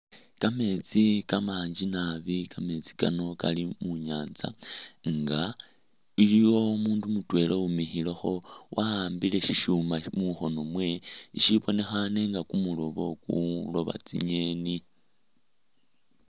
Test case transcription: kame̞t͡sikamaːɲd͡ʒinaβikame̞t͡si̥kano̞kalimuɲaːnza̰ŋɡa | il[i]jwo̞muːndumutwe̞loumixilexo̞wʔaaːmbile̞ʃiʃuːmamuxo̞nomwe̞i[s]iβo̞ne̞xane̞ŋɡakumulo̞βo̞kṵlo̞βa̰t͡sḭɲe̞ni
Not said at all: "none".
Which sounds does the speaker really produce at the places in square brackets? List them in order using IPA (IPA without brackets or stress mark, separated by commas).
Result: i, ʃ